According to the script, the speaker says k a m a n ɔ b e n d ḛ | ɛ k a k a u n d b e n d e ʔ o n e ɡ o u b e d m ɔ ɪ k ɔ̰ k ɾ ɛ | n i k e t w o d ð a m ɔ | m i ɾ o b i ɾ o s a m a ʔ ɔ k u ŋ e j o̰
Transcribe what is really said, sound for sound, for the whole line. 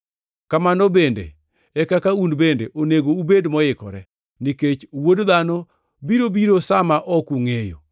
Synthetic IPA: k a m a n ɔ b e n d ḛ | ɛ k a k a u n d b e n d e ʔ o n e ɡ o u b e d m ɔ ɪ k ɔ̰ ɾ ɛ | n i k e t͡ʃ w o d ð a n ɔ | b i ɾ o b i ɾ o s a m a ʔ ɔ k u ŋ e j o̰